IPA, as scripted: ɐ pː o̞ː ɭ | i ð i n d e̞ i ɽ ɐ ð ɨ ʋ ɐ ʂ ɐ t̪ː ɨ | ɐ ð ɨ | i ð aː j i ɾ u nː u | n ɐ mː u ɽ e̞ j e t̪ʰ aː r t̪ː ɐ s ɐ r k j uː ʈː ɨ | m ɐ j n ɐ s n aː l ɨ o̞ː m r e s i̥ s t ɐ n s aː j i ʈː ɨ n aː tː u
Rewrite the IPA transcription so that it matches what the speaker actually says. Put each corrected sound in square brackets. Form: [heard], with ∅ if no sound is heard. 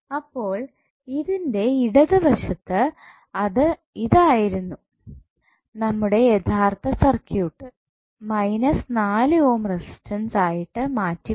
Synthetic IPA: ɐ pː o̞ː ɭ | i ð i n d e̞ i ɽ ɐ ð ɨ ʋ ɐ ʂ ɐ t̪ː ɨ | ɐ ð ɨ | i ð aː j i ɾ u nː u | n ɐ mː u ɽ e̞ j e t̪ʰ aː r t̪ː ɐ s ɐ r k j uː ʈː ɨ | m ɐ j n ɐ s n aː l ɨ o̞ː m r e s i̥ s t ɐ n s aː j i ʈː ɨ [m] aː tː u